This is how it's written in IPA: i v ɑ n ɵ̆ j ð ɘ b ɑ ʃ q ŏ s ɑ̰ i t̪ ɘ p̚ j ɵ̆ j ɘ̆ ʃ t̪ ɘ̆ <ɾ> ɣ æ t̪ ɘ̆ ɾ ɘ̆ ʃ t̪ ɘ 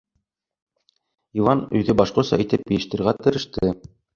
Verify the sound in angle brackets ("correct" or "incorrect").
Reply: correct